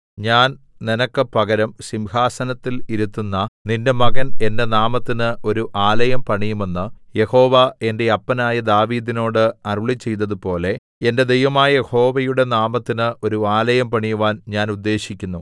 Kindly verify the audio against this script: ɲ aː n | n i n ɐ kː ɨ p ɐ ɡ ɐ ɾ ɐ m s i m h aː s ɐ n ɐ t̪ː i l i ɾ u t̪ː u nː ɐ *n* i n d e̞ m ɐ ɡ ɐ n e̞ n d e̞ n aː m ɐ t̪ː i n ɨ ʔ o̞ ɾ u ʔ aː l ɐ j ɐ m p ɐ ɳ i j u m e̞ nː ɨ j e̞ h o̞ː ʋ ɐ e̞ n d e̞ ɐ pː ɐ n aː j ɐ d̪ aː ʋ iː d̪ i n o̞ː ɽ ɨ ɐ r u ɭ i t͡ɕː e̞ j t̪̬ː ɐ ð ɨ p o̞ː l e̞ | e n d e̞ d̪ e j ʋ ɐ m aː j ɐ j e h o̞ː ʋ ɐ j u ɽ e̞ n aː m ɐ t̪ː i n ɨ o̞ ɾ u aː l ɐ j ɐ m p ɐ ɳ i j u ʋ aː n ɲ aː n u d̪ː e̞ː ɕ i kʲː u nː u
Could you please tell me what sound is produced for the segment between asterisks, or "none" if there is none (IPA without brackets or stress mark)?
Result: n